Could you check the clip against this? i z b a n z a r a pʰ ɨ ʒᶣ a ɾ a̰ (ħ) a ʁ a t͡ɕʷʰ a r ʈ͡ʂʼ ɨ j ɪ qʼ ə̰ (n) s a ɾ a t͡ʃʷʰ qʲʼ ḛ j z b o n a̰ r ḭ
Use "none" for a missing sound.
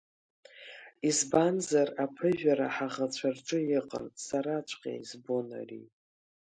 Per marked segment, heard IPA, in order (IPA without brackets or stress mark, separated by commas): ħ, n